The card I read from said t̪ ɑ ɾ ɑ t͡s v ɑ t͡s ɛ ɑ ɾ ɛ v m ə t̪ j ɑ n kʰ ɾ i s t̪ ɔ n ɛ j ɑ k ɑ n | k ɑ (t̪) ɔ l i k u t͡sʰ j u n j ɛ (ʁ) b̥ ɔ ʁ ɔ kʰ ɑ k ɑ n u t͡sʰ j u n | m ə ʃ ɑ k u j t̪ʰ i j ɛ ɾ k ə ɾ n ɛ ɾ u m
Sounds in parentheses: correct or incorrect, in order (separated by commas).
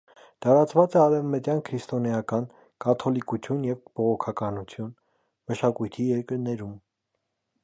incorrect, incorrect